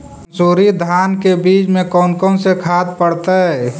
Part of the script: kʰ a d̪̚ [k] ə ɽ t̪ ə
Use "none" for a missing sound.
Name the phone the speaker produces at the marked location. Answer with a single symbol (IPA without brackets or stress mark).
p